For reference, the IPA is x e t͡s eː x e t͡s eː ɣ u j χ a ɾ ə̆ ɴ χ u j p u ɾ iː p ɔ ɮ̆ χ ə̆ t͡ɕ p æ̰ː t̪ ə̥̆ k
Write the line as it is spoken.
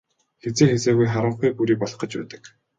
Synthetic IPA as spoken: x e t͡s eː x e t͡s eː ɣ u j χ a ɾ ə̆ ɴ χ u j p u ɾ iː p ɔ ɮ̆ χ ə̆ t͡ɕ p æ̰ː t̪ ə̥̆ k